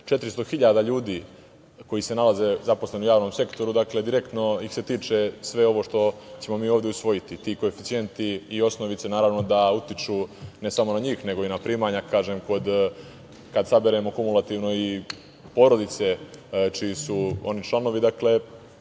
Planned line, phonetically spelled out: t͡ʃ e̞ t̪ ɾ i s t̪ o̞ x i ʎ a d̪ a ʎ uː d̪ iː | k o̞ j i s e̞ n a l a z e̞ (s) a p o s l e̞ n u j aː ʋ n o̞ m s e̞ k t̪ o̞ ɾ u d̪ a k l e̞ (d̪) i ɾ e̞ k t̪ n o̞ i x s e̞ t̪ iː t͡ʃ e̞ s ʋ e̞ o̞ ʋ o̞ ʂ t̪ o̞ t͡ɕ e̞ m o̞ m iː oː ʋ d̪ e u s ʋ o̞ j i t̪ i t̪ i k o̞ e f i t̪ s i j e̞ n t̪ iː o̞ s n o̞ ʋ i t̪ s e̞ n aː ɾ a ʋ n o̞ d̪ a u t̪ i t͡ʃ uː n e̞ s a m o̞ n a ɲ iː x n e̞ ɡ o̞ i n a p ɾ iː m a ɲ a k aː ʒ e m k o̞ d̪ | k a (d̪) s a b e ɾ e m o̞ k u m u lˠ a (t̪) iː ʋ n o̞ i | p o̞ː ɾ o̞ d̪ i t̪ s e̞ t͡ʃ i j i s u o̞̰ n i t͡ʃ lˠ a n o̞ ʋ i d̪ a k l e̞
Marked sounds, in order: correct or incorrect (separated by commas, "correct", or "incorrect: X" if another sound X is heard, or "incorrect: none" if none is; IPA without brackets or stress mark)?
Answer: incorrect: z, correct, correct, correct